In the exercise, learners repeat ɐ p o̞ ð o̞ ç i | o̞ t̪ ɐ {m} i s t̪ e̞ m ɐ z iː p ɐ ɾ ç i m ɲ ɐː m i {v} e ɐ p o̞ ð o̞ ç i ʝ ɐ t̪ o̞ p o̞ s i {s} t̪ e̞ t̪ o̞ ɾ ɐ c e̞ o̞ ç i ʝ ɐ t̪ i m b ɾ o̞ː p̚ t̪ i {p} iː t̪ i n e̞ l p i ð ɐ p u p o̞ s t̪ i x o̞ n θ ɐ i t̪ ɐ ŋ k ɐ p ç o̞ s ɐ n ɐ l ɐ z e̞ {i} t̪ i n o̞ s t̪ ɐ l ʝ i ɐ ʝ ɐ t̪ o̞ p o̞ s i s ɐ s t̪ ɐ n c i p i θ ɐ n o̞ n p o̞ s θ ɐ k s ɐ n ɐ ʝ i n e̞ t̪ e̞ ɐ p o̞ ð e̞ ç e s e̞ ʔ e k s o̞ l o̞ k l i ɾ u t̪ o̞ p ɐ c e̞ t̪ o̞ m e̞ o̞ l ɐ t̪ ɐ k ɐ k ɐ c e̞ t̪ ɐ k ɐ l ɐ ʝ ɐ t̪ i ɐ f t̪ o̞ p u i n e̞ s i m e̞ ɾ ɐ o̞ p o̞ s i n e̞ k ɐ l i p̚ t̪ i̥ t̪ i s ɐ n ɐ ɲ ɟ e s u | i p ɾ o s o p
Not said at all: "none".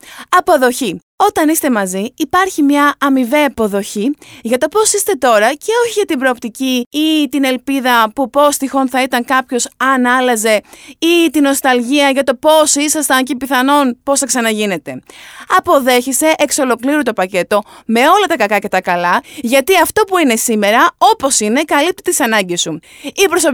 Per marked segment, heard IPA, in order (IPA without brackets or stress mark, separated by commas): n, v, s, c, i